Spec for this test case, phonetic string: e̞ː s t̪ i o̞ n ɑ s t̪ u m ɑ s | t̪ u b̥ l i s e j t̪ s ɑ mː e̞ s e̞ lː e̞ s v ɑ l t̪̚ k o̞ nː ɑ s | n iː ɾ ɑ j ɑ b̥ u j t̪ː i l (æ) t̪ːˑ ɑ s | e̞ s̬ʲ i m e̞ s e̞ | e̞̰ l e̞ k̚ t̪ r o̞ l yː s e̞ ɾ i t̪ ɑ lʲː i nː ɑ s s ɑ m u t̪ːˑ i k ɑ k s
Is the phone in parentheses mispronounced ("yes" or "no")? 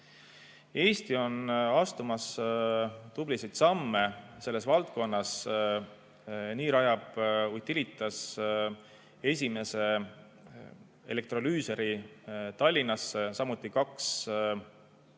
yes